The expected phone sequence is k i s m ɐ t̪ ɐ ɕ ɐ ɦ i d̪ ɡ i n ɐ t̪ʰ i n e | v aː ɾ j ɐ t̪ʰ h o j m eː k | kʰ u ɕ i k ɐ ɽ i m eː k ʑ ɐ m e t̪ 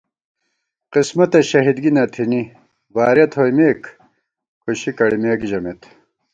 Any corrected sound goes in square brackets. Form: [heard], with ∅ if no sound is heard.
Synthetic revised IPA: [q] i s m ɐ t̪ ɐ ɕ ɐ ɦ i d̪ ɡ i n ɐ t̪ʰ i n [i] | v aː ɾ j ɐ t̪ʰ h o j m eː k | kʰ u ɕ i k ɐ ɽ i m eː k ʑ ɐ m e t̪

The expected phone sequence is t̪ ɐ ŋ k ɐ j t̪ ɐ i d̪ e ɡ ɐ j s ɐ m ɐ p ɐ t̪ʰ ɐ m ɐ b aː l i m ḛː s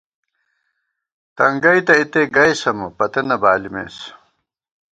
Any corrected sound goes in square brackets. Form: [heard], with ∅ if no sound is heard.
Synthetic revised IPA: t̪ ɐ ŋ [ɡ] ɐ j t̪ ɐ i [t̪] e ɡ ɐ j s ɐ m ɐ p ɐ [t̪] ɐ [n] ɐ b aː l i m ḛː s

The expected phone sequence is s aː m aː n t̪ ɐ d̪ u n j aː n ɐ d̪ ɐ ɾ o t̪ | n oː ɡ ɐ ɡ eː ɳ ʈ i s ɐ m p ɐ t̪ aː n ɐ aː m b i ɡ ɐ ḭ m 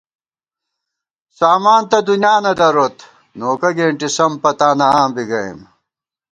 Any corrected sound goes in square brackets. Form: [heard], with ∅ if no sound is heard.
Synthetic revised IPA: s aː m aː n t̪ ɐ d̪ u n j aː n ɐ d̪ ɐ ɾ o t̪ | n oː [k] ɐ ɡ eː ɳ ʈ i s ɐ m p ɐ t̪ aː n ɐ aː m b i ɡ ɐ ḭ m

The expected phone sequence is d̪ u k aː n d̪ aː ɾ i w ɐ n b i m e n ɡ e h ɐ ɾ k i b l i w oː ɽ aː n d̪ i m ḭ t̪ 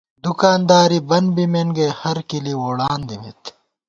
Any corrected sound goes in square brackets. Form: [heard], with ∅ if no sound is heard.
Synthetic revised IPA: d̪ u k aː n d̪ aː ɾ i [b] ɐ n b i m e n ɡ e h ɐ ɾ k i [∅] l i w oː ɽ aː n d̪ i m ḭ t̪

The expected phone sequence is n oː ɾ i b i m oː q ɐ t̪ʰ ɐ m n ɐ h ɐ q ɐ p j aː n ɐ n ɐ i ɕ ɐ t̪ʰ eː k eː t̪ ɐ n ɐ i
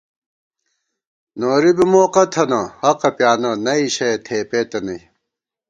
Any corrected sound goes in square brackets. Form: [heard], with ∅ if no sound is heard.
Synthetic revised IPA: n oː ɾ i b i m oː q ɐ t̪ʰ ɐ [∅] n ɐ h ɐ q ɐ p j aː n ɐ n ɐ i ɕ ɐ t̪ʰ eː [p] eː t̪ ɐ n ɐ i

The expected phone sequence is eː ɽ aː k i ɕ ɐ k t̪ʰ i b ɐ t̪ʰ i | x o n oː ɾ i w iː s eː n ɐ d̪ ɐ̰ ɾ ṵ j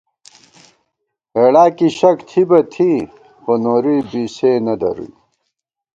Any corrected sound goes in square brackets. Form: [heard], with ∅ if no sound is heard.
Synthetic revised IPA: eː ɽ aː k i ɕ ɐ k t̪ʰ i b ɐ t̪ʰ i | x o n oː ɾ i [b] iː s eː n ɐ d̪ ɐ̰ ɾ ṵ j

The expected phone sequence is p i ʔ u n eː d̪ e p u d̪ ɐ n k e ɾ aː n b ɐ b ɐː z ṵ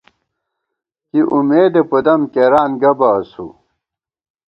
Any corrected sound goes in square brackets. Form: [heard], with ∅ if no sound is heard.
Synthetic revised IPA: [k] i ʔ u [m] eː d̪ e p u d̪ ɐ [m] k e ɾ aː n [ɡ] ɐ b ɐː [s] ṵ

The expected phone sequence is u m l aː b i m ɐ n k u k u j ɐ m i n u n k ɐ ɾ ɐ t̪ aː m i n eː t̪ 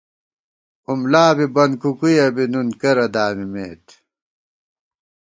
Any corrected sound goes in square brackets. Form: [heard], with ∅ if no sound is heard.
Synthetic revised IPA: u m l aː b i [b] ɐ n k u k u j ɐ [b] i n u n k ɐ ɾ ɐ [d̪] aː m i [m] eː t̪

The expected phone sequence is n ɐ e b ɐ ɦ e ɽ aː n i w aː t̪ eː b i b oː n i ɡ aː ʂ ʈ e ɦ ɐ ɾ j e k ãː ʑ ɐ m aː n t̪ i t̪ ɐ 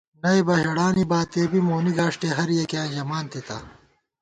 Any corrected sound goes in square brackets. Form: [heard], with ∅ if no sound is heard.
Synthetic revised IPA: n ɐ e b ɐ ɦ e ɽ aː n i [b] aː t̪ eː b i [m] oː n i ɡ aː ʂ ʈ e ɦ ɐ ɾ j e k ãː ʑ ɐ m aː n t̪ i t̪ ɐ

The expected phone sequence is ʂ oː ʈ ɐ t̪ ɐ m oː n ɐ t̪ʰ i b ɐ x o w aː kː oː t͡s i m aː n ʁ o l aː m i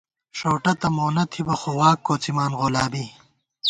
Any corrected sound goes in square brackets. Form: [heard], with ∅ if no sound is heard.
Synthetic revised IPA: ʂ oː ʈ ɐ t̪ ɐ m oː n ɐ t̪ʰ i b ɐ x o w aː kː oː t͡s i m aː n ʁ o l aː [b] i

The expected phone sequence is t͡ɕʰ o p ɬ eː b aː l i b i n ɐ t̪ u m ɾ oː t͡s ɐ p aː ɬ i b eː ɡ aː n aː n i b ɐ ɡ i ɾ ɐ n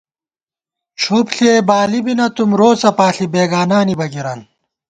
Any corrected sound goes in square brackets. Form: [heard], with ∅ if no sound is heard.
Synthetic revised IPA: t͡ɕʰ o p ɬ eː b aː l i b i n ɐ t̪ u m ɾ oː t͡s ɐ p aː ɬ i b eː ɡ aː n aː n i b ɐ ɡ i ɾ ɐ n

